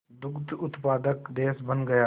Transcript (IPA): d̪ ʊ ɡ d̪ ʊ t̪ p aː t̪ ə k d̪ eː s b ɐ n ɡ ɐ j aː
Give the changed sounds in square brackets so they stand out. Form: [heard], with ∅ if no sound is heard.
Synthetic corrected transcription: d̪ ʊ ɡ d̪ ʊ t̪ p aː [d̪] ə k d̪ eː s b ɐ n ɡ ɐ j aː